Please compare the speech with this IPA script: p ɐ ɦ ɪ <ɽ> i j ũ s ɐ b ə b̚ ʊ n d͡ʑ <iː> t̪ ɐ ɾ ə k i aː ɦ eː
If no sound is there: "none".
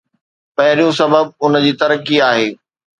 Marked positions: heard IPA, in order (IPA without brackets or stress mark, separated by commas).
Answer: ɾ, iː